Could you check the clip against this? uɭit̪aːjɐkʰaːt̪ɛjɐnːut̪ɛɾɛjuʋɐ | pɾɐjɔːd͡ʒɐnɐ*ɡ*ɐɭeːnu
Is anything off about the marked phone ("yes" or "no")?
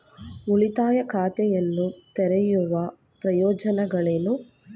no